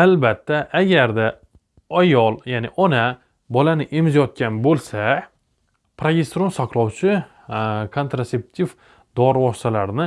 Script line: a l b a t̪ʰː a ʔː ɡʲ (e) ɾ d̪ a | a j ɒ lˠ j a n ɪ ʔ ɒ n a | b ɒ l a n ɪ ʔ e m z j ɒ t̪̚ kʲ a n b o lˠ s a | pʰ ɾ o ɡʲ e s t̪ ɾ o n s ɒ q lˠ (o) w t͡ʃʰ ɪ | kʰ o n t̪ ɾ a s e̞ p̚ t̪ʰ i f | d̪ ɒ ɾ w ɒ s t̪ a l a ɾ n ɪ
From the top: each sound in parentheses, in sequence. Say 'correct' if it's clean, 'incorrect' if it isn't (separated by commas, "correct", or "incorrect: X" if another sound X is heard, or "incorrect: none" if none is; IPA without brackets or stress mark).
incorrect: a, incorrect: ɒ